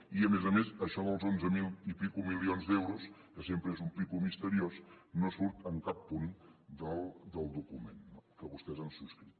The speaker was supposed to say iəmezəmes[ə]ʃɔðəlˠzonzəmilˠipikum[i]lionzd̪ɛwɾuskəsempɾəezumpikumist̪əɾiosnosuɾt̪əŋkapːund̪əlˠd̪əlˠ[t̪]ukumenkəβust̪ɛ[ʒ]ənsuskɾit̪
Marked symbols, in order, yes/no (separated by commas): yes, yes, no, no